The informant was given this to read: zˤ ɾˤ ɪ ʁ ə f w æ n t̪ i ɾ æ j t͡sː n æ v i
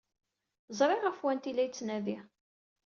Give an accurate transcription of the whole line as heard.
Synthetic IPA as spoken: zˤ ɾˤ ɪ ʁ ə f w æ n t̪ i l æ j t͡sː n æ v i